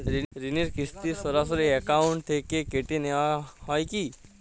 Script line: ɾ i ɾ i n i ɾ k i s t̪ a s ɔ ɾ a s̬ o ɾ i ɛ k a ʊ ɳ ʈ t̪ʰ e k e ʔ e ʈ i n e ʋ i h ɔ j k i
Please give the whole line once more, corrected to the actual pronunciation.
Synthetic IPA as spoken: ɾ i ɾ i n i ɾ k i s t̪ i s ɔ ɾ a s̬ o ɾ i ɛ k a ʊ ɳ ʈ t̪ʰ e k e k e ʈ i n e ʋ a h ɔ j k i